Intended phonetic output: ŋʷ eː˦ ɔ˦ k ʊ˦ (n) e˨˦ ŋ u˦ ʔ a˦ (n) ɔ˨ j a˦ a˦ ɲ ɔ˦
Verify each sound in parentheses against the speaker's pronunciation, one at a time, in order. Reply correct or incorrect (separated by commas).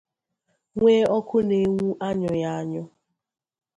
correct, incorrect